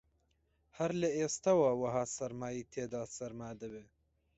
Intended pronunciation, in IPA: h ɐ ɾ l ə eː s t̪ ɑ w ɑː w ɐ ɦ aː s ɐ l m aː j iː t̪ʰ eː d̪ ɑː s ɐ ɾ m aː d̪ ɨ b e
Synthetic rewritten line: h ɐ ɾ l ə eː s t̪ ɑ w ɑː w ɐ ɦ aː s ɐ ɾ m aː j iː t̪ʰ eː d̪ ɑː s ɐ ɾ m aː d̪ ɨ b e